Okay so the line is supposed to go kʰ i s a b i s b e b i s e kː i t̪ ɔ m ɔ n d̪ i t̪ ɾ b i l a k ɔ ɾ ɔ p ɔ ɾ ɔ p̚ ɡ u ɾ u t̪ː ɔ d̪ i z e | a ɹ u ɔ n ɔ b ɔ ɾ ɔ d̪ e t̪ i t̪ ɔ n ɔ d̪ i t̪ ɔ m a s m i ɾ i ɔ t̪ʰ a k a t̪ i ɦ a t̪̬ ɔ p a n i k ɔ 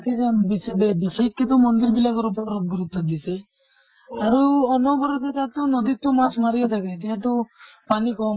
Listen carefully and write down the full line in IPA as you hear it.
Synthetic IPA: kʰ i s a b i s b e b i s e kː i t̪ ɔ m ɔ n d̪ i ɾ b i l a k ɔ ɾ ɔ p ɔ ɾ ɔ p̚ ɡ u ɾ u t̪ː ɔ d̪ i s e | a ɾ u ɔ n ɔ b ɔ ɾ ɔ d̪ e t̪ a t̪ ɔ n ɔ d̪ i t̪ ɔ m a s m a ɾ i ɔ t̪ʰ a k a t̪ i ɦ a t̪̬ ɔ p a n i k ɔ